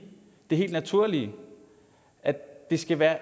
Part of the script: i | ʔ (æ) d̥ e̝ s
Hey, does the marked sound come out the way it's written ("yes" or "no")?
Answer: yes